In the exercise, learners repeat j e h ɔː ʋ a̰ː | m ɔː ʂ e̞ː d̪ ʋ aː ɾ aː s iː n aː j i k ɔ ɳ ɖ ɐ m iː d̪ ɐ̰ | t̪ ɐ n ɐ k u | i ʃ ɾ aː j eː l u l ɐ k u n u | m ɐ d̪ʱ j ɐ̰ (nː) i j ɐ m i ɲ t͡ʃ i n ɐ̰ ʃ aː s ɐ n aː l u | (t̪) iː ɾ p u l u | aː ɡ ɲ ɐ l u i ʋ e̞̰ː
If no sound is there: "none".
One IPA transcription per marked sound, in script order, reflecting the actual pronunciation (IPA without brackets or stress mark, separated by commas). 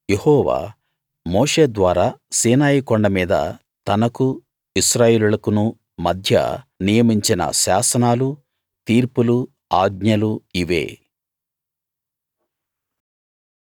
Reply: n, t̪